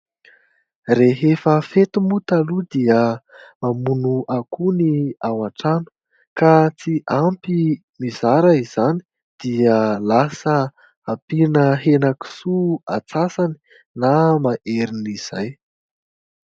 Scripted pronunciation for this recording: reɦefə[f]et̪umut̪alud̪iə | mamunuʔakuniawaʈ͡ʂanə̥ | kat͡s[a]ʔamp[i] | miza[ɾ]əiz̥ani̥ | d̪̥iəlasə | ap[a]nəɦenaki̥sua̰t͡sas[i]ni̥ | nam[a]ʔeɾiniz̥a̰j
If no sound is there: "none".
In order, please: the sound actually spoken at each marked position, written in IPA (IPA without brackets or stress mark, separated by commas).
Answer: f, i, i, ɾ, i, a, a